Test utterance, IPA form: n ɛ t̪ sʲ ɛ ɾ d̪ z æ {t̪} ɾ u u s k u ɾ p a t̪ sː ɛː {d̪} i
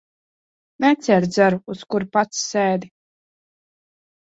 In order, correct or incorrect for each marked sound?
incorrect, correct

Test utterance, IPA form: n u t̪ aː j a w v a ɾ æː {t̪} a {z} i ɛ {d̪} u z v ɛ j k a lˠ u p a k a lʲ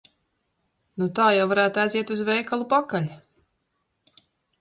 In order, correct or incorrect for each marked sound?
correct, correct, incorrect

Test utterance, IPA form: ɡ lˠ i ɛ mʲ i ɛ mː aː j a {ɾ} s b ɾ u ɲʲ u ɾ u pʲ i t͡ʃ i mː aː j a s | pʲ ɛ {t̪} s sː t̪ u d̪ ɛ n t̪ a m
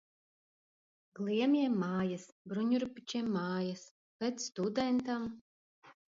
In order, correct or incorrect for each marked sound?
incorrect, correct

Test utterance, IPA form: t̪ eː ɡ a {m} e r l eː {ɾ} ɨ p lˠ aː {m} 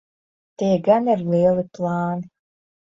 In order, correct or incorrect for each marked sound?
incorrect, incorrect, incorrect

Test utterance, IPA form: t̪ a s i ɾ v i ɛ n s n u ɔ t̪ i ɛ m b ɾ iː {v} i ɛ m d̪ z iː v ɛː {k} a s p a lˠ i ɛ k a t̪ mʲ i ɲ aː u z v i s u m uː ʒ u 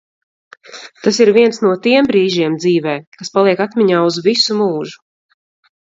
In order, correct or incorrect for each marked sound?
incorrect, correct

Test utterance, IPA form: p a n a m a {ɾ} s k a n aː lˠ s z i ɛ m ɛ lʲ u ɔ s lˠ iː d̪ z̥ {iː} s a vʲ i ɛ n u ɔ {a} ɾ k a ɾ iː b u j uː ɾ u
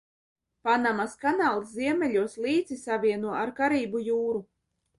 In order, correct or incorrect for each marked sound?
incorrect, incorrect, correct

